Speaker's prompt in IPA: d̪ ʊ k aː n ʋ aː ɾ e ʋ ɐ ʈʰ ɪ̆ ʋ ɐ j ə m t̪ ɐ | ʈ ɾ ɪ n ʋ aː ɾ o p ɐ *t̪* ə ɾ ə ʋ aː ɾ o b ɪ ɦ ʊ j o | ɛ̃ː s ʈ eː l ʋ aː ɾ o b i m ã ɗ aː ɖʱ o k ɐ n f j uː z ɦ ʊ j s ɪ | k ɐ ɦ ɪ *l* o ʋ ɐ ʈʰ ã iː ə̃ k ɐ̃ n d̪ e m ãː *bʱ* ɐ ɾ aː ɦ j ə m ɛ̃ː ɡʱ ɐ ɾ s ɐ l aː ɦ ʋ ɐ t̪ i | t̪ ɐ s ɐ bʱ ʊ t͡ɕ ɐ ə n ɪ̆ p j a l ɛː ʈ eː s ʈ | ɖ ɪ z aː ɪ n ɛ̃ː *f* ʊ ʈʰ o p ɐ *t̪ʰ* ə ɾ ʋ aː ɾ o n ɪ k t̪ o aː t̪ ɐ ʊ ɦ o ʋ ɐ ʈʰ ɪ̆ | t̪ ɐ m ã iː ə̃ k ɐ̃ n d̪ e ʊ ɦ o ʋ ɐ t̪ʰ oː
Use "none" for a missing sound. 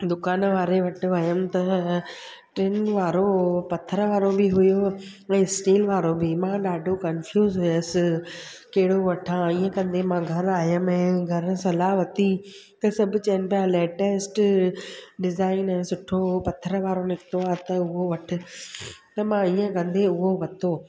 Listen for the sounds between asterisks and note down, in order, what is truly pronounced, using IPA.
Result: t̪ʰ, ɽ, ɡʱ, s, t̪ʰ

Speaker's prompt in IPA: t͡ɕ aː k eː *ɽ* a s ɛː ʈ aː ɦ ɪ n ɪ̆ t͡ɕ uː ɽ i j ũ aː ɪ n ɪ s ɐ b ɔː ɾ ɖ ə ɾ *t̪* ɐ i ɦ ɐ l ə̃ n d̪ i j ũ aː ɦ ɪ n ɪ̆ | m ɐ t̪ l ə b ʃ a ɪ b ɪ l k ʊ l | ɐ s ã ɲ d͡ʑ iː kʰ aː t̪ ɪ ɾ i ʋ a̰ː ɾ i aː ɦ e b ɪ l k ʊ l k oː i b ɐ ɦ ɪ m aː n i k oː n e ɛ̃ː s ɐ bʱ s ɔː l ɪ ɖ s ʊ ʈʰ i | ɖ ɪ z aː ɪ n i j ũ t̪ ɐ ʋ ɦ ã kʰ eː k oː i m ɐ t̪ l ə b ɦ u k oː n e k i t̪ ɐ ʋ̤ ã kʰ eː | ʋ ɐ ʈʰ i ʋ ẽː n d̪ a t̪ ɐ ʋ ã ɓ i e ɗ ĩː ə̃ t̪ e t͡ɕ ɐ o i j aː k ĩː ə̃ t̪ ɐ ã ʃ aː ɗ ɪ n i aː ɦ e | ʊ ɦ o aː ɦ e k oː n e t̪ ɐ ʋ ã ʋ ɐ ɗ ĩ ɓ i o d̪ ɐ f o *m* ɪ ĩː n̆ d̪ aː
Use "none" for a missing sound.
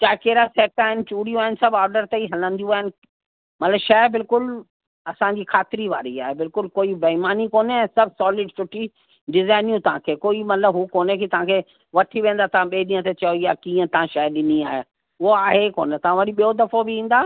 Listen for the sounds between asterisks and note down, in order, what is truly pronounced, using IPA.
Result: ɾ, t̪, b

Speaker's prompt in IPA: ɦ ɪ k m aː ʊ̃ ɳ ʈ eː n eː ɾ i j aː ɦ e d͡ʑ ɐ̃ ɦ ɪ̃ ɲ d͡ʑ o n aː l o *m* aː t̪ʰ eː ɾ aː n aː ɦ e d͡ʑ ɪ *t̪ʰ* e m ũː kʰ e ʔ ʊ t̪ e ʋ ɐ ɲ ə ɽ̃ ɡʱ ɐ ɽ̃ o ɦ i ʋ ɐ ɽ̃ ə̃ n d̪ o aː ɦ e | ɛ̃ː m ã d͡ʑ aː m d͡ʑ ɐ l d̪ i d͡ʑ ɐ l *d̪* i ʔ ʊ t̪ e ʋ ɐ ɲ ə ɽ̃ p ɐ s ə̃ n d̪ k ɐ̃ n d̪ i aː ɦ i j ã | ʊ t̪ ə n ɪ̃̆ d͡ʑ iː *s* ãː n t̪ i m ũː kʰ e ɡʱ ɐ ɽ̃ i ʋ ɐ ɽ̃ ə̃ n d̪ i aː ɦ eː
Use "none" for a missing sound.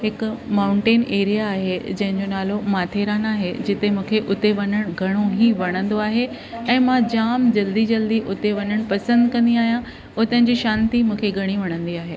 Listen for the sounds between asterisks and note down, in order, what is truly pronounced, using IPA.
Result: m, t̪, d̪, ʃ

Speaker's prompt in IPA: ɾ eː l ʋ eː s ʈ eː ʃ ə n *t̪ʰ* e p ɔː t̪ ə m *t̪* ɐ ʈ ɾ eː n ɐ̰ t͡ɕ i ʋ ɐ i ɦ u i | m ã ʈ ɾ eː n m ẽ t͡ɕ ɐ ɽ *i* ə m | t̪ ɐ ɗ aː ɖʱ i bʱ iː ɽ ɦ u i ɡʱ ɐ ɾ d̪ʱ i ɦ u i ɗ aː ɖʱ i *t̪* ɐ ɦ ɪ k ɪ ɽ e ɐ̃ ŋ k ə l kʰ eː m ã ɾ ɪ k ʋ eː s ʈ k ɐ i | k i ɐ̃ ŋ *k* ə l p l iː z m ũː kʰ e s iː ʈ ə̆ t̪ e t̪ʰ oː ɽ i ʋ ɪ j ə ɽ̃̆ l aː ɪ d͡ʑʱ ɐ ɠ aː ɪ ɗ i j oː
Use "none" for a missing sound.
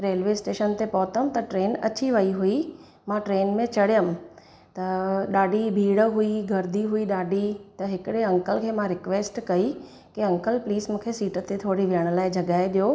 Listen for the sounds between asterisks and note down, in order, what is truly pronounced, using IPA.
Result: t̪, t̪, j, t̪, k

